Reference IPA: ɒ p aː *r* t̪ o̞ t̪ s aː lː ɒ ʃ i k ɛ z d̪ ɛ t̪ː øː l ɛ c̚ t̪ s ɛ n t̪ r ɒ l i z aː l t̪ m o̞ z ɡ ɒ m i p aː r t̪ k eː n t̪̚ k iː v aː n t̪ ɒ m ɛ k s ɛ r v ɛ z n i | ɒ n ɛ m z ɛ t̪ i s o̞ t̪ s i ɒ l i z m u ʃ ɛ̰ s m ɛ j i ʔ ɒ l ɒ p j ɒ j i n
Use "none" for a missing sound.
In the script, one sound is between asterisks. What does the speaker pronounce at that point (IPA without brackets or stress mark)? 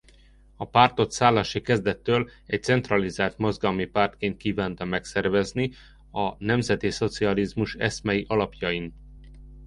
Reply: r